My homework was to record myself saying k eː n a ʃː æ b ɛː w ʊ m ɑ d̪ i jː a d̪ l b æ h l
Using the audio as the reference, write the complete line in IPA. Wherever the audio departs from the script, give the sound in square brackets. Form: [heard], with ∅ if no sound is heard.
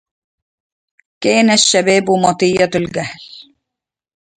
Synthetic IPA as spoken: k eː n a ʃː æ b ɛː [b] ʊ m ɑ [t̪] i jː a [t̪] l [ɡ] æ h l